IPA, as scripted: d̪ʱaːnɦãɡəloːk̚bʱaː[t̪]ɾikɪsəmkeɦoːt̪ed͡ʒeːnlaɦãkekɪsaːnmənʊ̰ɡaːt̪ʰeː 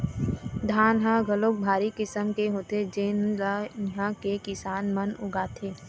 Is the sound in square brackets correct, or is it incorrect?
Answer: incorrect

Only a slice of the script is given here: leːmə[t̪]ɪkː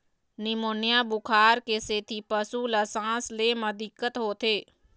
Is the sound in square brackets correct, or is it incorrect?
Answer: incorrect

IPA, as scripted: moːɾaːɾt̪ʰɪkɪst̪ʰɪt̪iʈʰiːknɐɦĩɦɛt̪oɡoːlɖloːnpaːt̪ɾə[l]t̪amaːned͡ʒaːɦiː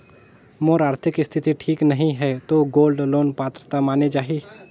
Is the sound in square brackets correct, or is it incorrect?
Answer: incorrect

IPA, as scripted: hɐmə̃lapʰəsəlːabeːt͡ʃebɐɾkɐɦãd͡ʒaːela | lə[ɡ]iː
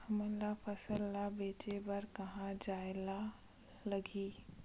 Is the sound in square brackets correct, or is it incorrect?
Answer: correct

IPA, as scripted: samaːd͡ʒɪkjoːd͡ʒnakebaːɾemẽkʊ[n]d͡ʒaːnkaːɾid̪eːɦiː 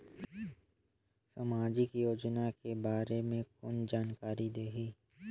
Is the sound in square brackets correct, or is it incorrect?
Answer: correct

